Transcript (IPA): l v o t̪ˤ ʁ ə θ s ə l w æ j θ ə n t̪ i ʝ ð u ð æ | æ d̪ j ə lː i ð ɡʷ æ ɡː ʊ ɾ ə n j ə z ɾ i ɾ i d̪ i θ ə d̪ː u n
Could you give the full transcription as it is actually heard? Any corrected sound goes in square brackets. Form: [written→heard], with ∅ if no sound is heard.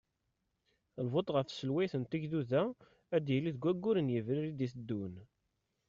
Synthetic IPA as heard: l v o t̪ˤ ʁ ə [θ→f] s ə l w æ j θ ə n t̪ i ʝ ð u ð æ | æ d̪ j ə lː i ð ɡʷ æ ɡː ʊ ɾ ə n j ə [z→v] ɾ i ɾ i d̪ i θ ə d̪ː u n